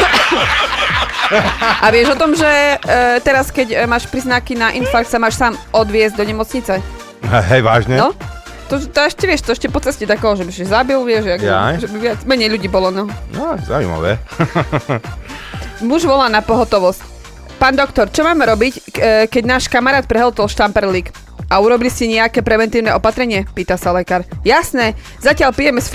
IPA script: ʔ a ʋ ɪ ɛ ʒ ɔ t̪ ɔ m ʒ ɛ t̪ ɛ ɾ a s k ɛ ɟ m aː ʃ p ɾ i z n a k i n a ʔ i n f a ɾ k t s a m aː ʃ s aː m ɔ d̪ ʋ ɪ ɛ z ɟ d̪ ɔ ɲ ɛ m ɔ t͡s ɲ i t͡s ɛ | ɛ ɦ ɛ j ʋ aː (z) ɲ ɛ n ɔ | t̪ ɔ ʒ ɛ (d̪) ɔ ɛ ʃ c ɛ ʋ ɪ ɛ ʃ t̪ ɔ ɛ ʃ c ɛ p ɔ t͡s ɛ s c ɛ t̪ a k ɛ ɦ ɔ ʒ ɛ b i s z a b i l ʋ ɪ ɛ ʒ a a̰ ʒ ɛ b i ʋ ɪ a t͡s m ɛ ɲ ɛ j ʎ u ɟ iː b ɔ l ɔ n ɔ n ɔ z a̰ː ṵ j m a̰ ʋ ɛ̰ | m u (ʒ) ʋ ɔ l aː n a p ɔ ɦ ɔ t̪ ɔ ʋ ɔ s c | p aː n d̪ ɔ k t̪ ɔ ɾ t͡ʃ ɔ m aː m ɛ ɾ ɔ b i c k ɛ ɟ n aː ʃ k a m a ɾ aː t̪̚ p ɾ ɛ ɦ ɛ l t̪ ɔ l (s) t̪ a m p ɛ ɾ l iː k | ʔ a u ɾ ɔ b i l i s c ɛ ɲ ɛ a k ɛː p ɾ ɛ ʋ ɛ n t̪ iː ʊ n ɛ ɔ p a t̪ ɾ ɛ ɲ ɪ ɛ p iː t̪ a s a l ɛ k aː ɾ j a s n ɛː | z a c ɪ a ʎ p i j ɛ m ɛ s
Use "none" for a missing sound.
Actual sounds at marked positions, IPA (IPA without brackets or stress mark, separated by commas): ʒ, t̪, ʒ, ʃ